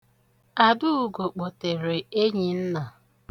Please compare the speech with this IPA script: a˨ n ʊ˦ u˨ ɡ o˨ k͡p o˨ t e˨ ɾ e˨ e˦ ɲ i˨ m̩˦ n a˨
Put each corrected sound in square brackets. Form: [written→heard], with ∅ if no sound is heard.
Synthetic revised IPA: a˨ [n→d] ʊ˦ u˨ ɡ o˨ k͡p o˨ t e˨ ɾ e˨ e˦ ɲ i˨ [m̩˦→n̩˦] n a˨